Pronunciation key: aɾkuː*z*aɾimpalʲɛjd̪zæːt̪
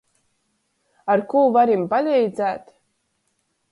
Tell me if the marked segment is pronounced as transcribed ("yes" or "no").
no